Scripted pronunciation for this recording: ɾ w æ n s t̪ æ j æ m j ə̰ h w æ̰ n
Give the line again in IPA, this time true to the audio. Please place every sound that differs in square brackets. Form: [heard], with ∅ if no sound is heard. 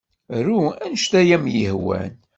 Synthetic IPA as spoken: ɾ [u] æ n [ʃ] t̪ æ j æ m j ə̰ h w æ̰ n